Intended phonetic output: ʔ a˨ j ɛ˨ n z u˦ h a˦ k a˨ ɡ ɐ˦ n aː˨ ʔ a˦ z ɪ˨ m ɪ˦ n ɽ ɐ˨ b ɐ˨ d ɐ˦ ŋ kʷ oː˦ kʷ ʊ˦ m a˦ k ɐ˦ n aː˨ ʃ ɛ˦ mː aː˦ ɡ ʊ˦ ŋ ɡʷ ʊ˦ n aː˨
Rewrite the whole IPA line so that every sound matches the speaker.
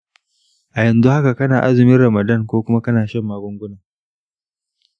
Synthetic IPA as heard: ʔ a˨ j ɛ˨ n z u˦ h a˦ k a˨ k ɐ˦ n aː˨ ʔ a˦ z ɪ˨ m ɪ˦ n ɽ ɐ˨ m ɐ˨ d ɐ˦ ŋ kʷ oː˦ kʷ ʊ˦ m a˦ k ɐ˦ n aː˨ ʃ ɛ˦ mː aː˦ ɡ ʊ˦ ŋ ɡʷ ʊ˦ n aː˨